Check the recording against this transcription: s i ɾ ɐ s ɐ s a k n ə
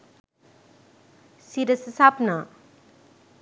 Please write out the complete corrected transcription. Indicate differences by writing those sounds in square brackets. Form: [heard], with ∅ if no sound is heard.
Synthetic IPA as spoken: s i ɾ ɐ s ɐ s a [p] n [a]